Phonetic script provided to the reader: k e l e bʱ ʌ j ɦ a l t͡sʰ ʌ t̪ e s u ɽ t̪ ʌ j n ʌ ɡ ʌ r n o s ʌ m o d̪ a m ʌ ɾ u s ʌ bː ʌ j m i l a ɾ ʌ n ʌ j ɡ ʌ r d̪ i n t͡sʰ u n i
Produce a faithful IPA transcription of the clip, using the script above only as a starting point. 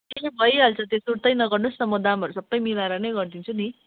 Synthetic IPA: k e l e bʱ ʌ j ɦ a l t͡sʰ ʌ t̪ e s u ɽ t̪ ʌ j n ʌ ɡ ʌ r n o s ʌ m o d̪ a m ʌ ɾ u s ʌ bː ʌ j m i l a ɾ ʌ n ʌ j ɡ ʌ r d̪ i n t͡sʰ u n i